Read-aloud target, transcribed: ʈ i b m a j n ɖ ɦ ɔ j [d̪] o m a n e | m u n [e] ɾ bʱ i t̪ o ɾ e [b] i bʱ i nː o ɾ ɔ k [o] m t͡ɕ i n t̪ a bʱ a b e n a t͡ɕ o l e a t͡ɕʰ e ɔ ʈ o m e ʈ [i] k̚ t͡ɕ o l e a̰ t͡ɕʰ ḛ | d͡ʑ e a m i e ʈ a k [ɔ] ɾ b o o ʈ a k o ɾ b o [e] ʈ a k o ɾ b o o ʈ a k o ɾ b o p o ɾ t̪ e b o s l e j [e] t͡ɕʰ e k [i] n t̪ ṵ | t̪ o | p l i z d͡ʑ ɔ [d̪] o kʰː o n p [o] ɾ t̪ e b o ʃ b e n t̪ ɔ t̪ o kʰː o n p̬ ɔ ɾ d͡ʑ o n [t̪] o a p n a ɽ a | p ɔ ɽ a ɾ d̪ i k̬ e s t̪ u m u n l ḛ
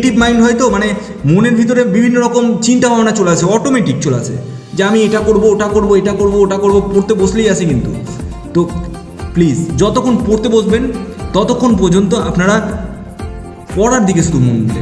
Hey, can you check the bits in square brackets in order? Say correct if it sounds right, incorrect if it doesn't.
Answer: incorrect: t̪, correct, correct, correct, correct, incorrect: o, correct, incorrect: a, correct, incorrect: t̪, correct, correct

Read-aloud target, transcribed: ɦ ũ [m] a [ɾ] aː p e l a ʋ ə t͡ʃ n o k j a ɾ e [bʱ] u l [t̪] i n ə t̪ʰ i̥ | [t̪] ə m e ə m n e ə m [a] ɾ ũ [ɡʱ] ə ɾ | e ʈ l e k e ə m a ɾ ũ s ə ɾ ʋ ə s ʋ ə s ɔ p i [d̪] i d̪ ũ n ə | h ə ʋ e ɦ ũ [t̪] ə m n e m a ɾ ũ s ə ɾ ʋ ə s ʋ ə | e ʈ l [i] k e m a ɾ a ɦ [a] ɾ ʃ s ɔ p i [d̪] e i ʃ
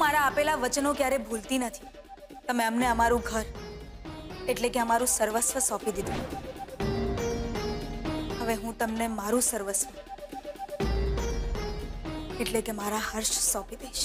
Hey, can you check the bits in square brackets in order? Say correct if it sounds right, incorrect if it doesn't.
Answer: correct, correct, correct, correct, correct, correct, correct, correct, correct, incorrect: e, incorrect: ə, correct

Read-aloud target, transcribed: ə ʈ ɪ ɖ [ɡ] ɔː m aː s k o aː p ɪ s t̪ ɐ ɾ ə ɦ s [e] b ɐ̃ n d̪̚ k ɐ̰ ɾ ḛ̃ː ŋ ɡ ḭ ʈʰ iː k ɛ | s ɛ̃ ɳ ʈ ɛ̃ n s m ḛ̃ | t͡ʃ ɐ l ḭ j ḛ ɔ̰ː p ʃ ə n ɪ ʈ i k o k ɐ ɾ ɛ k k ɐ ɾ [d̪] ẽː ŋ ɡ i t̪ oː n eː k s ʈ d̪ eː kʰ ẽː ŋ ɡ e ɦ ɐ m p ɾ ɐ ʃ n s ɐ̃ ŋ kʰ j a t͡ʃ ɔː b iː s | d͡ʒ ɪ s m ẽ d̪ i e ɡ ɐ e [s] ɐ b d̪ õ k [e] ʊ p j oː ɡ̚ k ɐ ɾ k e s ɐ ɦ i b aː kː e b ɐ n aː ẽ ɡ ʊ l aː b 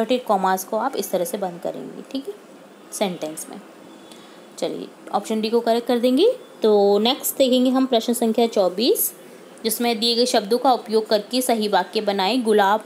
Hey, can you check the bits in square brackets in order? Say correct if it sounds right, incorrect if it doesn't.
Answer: incorrect: k, correct, correct, incorrect: ʃ, incorrect: a

